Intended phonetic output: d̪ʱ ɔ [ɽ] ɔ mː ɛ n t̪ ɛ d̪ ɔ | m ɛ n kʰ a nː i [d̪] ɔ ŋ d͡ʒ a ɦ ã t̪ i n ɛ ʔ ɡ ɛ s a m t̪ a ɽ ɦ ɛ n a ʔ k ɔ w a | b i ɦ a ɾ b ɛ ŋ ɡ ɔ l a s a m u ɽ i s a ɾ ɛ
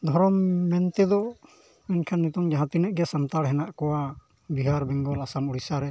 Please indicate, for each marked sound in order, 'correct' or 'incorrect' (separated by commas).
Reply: incorrect, incorrect